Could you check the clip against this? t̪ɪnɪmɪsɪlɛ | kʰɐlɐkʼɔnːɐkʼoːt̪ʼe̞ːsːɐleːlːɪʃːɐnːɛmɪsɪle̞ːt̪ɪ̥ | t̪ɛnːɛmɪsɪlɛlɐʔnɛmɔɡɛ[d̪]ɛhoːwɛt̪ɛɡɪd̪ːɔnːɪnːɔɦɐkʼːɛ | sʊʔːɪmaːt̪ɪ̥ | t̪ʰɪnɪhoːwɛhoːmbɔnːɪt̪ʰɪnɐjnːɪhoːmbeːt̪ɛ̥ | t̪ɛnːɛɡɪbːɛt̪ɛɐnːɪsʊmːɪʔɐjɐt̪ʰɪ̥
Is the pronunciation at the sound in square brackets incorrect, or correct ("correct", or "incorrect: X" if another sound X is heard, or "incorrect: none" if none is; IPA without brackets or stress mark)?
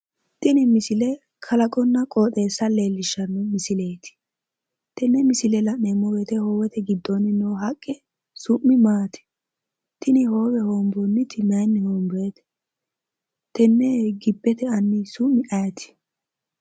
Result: incorrect: t̪